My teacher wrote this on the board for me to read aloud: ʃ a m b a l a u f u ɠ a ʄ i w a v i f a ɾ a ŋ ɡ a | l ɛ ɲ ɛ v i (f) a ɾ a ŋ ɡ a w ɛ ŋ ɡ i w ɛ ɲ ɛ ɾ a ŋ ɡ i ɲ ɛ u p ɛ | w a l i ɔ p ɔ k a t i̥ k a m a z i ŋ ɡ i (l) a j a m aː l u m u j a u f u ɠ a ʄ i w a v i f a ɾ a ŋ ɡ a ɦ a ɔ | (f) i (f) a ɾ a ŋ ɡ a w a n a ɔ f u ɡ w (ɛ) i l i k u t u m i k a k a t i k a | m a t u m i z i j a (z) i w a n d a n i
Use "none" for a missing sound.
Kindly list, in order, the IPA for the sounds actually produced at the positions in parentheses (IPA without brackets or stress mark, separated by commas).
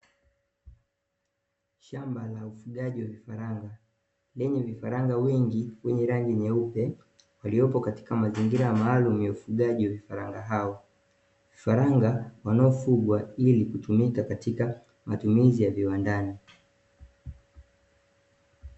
f, ɾ, v, f, a, v